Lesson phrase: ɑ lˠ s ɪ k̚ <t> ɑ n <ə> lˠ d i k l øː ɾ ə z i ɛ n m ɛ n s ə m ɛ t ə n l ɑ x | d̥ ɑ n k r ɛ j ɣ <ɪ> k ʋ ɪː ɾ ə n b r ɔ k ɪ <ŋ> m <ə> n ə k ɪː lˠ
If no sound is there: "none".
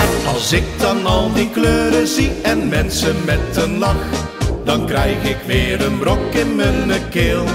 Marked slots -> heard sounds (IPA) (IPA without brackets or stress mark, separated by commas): d, ɑ, ɪ, n, ə